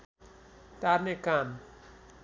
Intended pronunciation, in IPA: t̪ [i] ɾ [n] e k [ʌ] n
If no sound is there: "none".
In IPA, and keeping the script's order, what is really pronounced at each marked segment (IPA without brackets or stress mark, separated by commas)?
a, n, a